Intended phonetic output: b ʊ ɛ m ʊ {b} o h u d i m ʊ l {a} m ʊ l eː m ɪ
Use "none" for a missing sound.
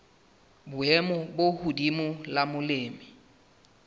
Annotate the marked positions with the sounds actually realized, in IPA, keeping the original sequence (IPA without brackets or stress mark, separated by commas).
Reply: b, a